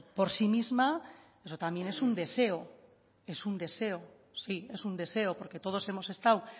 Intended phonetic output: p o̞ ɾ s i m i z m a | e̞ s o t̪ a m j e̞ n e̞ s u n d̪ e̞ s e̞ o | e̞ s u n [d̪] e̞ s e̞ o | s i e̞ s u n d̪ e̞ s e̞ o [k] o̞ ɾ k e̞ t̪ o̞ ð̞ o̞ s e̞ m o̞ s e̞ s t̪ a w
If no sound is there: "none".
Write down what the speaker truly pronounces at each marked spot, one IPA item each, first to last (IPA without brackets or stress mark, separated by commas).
d̪, p